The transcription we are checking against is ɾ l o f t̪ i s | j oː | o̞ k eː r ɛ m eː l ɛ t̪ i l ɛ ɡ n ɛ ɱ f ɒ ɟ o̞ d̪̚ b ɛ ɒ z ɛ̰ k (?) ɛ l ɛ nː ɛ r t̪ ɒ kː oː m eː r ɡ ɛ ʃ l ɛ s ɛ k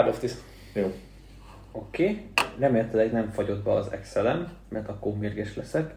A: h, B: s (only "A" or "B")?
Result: B